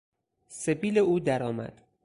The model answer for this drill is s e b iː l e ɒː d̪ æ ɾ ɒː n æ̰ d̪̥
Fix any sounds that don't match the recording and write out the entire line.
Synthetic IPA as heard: s e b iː l e uː d̪ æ ɾ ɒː m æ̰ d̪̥